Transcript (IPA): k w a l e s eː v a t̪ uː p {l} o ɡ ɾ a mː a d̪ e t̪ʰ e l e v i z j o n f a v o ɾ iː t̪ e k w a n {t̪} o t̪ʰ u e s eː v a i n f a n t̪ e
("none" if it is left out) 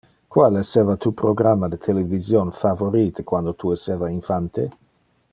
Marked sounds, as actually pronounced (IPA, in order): ɾ, d̪

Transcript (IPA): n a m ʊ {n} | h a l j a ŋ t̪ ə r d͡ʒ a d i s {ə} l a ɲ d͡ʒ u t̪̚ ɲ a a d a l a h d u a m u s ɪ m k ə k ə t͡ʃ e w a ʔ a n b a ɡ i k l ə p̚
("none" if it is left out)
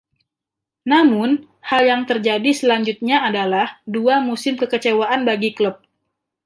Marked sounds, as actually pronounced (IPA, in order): n, ə

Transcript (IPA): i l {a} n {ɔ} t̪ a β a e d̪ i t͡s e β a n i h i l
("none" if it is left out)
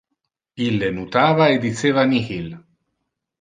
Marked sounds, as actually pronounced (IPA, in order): e, u

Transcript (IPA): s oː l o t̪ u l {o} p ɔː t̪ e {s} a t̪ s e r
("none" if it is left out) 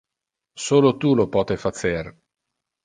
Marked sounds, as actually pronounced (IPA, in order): o, f

